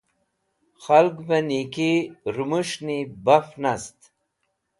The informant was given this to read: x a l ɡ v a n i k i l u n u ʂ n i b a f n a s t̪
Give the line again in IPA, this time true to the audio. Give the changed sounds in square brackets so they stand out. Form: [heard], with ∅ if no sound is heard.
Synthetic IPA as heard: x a l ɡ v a n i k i [ɾ] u [m] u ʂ n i b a f n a s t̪